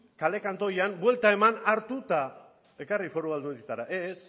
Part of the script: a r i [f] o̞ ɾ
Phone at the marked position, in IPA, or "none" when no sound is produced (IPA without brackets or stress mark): f